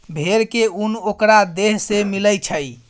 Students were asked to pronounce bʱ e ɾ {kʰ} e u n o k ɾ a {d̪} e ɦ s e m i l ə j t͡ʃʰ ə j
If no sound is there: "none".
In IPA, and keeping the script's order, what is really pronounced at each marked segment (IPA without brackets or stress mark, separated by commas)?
k, d̪